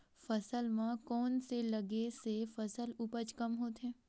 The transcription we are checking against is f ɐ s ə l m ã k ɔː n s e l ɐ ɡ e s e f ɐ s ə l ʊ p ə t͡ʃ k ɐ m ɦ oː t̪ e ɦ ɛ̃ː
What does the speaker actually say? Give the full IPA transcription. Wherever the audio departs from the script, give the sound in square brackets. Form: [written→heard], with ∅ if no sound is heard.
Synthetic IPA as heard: f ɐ s ə l m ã k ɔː n s e l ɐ ɡ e s e f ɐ s ə l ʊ p ə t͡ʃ k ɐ m ɦ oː t̪ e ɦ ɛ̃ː